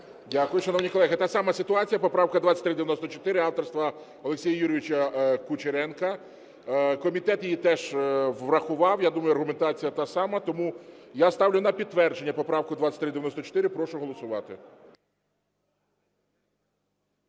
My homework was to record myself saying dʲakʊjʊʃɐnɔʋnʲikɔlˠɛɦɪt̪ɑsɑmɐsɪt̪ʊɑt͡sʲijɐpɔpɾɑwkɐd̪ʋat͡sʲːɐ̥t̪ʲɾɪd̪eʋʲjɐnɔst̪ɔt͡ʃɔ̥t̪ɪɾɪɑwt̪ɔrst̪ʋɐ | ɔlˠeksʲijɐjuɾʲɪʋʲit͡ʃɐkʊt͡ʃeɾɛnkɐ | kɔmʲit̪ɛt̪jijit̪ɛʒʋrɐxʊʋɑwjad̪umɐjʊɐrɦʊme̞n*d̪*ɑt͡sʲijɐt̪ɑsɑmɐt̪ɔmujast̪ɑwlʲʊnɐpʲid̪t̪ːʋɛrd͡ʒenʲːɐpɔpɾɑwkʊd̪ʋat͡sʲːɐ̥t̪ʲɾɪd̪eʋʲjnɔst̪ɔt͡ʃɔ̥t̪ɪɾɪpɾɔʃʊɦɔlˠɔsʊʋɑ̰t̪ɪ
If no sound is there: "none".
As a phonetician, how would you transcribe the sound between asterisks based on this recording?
t̪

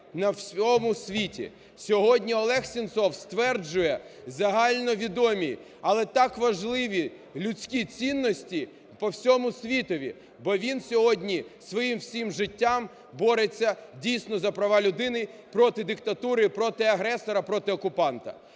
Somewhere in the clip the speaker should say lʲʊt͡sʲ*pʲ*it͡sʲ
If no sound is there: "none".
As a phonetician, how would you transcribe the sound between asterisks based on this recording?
kʲ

